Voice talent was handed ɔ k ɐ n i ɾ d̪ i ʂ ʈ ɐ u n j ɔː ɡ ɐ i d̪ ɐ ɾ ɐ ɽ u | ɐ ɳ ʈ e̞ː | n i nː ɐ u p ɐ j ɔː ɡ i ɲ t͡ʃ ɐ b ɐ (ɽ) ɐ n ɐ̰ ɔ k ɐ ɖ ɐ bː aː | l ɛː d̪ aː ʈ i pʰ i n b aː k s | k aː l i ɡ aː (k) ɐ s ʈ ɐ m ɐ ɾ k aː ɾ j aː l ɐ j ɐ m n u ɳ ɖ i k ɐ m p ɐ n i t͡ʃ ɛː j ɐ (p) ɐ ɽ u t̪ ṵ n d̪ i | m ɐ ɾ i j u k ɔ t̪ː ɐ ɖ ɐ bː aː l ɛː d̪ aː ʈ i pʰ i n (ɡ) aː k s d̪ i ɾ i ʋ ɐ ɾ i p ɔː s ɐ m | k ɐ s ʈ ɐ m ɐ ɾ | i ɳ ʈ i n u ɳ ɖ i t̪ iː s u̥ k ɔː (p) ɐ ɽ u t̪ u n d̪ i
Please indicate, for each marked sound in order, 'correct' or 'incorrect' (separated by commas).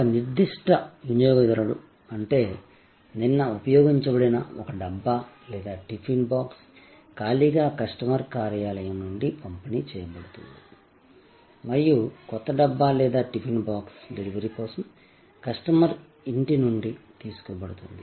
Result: correct, correct, incorrect, incorrect, incorrect